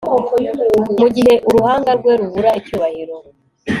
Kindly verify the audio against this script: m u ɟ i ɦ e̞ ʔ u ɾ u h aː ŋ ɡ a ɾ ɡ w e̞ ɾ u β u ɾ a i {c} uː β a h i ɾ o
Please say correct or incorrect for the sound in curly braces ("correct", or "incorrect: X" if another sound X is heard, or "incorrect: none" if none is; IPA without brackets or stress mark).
correct